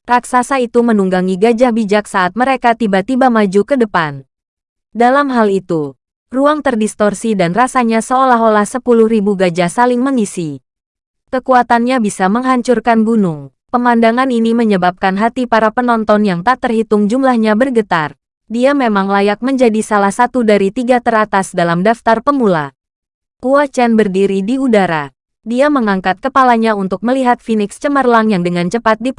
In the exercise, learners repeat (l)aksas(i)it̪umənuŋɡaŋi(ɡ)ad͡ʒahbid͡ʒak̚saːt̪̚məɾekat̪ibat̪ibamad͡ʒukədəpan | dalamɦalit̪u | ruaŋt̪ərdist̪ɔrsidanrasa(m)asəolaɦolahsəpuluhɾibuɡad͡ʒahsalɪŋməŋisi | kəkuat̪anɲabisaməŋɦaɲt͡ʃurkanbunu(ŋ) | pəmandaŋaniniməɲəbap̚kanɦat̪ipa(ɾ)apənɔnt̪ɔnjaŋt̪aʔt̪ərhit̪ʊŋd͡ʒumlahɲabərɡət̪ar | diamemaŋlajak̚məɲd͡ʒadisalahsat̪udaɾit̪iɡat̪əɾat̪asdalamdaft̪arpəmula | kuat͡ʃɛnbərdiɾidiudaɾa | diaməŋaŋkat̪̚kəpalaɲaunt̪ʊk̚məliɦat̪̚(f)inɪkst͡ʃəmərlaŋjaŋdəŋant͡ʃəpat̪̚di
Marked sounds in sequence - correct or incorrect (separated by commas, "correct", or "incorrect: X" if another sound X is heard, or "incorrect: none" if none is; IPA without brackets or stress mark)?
incorrect: r, incorrect: a, correct, incorrect: ɲ, correct, correct, correct